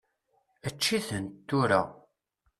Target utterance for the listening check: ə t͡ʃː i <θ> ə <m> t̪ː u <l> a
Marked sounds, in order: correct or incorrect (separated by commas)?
correct, incorrect, incorrect